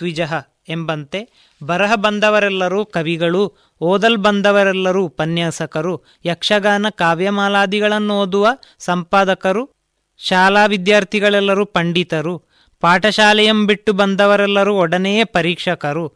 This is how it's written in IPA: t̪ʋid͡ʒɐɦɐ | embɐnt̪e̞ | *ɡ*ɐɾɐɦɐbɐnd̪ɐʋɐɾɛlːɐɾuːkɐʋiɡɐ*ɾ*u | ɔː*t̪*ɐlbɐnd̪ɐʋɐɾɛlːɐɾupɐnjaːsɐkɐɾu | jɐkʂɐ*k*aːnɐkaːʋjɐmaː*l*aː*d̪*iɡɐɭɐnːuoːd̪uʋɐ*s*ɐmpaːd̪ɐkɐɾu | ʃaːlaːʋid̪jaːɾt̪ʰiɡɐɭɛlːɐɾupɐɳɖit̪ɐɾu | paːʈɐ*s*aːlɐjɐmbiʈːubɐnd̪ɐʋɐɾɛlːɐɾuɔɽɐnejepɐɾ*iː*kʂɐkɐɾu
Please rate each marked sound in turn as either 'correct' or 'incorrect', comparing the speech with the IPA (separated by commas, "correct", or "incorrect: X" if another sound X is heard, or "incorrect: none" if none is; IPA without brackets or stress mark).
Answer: incorrect: b, incorrect: ɭ, incorrect: d̪, incorrect: ɡ, correct, correct, correct, incorrect: ʃ, correct